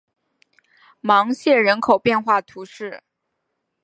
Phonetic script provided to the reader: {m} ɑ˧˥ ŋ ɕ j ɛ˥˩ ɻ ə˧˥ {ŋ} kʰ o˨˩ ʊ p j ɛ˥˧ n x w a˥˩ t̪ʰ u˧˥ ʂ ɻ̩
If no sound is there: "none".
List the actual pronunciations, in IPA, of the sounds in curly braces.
m, n

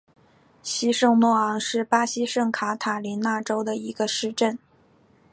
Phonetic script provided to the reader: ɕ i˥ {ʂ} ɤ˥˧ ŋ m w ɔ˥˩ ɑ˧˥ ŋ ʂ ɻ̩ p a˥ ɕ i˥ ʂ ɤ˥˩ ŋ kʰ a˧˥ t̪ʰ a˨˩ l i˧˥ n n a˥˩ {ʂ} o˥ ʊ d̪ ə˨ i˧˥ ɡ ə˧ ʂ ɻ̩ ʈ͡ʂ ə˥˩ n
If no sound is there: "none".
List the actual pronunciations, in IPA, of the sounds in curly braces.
ʂ, ʈ͡ʂ

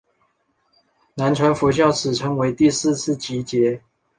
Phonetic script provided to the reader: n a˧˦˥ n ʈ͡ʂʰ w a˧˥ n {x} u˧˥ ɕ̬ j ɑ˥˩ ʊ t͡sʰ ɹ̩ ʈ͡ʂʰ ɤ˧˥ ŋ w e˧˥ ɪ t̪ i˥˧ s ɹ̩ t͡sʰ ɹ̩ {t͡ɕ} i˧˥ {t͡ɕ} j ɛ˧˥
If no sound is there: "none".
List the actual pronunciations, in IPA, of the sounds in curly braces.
f, t͡ɕ, t͡ɕ

